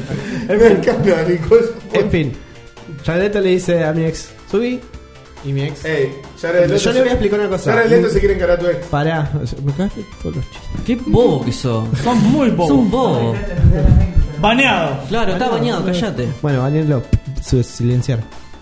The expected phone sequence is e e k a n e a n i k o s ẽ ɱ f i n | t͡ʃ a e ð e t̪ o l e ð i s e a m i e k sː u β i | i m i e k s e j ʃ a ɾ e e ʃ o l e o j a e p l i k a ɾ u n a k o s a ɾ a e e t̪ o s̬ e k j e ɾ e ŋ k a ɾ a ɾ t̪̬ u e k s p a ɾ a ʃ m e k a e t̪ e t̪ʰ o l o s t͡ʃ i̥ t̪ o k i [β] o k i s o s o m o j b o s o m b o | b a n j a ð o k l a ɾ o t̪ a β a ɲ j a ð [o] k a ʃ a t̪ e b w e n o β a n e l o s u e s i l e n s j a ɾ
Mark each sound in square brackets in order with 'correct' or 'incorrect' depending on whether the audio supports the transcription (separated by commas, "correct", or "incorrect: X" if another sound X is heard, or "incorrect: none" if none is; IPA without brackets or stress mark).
incorrect: b, correct